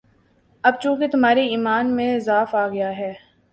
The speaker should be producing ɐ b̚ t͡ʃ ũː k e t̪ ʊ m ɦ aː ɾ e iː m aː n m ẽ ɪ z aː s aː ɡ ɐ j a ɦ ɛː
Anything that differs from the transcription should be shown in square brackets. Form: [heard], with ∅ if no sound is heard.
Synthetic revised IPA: ɐ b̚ t͡ʃ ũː k e t̪ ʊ m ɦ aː ɾ e iː m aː n m ẽ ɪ z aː [f] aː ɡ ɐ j a ɦ ɛː